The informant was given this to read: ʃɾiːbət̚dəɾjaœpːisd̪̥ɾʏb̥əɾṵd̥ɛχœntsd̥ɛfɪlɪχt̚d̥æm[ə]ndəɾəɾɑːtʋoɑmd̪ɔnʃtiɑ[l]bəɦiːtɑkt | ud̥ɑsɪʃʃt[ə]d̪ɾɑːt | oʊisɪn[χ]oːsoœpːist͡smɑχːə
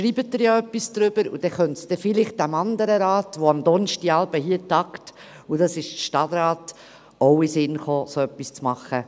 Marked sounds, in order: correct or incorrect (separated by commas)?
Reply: incorrect, correct, incorrect, correct